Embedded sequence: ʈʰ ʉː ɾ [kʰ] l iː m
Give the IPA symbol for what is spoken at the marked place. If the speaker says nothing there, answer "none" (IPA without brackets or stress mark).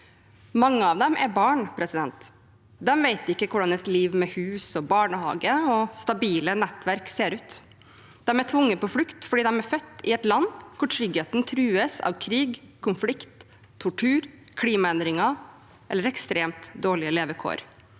kʰ